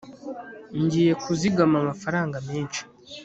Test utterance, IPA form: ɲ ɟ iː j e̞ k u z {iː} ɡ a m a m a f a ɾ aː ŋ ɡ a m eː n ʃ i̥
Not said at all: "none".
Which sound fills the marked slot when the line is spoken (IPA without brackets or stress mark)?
i